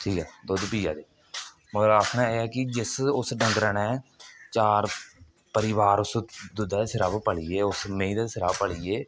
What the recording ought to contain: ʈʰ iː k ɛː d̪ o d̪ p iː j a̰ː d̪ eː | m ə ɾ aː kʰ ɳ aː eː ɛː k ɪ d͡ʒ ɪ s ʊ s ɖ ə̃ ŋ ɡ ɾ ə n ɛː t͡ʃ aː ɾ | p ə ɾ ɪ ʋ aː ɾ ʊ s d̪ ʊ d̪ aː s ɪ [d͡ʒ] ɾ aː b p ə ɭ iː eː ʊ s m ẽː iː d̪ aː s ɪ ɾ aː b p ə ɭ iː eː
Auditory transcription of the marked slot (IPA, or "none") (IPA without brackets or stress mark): none